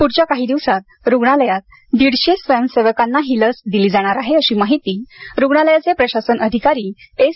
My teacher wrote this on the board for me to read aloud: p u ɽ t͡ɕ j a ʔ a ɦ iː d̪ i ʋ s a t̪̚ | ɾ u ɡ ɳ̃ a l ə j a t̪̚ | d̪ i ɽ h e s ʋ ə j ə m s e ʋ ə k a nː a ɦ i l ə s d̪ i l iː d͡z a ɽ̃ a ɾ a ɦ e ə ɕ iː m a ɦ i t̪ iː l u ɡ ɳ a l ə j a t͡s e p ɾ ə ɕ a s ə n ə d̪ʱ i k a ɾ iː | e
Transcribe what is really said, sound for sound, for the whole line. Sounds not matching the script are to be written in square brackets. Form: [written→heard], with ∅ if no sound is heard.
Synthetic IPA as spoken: p u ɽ t͡ɕ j a [ʔ→k] a ɦ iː d̪ i ʋ s a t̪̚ | ɾ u ɡ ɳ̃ a l ə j a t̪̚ | d̪ i ɽ [h→ɕ] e s ʋ ə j ə m s e ʋ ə k a nː a ɦ i l ə s d̪ i l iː d͡z a ɽ̃ a ɾ a ɦ e ə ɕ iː m a ɦ i t̪ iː [l→ɾ] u ɡ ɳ a l ə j a t͡s e p ɾ ə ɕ a s ə n ə d̪ʱ i k a ɾ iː | e